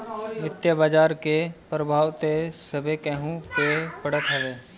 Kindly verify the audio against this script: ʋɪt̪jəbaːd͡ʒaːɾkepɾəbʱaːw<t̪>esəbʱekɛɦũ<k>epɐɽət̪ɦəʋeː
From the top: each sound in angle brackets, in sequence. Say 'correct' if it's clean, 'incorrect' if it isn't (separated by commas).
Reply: correct, incorrect